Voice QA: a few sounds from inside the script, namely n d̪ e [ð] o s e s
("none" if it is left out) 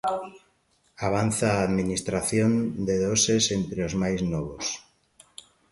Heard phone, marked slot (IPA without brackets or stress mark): ð